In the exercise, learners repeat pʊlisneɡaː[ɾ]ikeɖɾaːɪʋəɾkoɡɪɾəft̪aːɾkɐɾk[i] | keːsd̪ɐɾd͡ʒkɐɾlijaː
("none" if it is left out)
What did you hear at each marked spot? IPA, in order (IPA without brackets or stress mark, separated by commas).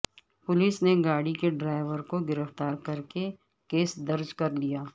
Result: ɽ, e